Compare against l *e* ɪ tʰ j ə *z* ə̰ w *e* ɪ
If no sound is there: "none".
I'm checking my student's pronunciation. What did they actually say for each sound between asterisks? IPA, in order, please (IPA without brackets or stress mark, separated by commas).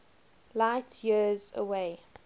a, z, e